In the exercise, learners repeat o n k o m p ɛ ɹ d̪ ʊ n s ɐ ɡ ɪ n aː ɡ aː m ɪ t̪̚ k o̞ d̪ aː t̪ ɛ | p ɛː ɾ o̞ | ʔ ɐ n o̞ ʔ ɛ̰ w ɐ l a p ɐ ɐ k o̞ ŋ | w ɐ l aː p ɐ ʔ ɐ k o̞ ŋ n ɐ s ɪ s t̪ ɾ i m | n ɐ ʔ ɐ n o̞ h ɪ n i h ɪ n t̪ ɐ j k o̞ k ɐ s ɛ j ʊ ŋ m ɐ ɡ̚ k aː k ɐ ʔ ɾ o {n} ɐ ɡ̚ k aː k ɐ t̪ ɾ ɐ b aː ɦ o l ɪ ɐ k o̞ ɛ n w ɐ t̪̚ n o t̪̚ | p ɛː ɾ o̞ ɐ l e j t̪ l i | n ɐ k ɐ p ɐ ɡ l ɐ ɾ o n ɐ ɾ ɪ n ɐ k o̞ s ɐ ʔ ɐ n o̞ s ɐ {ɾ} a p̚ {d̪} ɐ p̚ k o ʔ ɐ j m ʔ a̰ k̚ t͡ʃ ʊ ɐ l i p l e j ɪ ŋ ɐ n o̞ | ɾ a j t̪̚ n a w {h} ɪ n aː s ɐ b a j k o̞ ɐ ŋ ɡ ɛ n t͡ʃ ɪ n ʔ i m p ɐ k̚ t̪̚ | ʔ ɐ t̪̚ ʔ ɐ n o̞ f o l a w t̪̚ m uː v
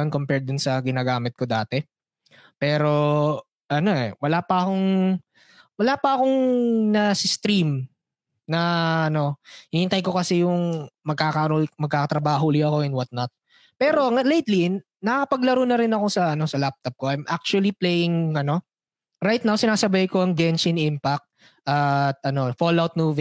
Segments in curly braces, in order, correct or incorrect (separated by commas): incorrect, incorrect, incorrect, incorrect